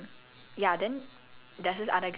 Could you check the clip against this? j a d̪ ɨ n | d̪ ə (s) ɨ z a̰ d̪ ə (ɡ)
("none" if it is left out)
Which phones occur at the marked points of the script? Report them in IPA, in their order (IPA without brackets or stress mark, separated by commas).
s, ɡ